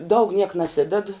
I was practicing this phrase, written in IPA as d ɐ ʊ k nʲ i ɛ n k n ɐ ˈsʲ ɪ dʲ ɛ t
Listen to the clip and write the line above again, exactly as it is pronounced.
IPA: d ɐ ʊ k nʲ i ɛ k n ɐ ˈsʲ ɪ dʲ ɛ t